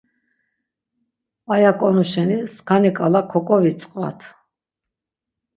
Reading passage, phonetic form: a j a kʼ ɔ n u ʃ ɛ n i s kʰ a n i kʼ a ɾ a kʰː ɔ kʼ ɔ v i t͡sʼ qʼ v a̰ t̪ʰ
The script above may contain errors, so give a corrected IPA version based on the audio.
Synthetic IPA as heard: a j a kʼ ɔ n u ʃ ɛ n i s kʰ a n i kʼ a l a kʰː ɔ kʼ ɔ v i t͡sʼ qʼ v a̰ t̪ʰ